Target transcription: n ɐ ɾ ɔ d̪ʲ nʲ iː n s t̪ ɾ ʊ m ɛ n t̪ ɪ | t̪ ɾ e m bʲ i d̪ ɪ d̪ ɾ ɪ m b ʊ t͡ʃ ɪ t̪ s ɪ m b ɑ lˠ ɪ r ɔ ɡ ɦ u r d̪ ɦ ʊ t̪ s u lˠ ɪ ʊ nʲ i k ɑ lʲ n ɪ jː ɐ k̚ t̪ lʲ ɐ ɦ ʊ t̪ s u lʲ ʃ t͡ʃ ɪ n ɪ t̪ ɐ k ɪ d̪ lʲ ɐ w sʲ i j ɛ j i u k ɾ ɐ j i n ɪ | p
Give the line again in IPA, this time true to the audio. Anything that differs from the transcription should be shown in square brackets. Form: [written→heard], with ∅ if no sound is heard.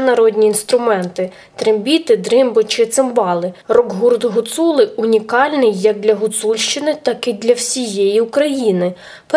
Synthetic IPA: n ɐ ɾ ɔ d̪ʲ nʲ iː n s t̪ ɾ ʊ m ɛ n t̪ ɪ | t̪ ɾ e m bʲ i [d̪→t̪] ɪ d̪ ɾ ɪ m b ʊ t͡ʃ ɪ t̪ s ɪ m b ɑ lˠ ɪ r ɔ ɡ ɦ u r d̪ ɦ ʊ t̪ s u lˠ ɪ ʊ nʲ i k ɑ lʲ n ɪ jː ɐ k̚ [t̪→d̪] lʲ ɐ ɦ ʊ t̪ s u lʲ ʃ t͡ʃ ɪ n ɪ t̪ [ɐ→ɑ] k ɪ d̪ lʲ ɐ w sʲ i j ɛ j i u k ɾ ɐ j i n ɪ | p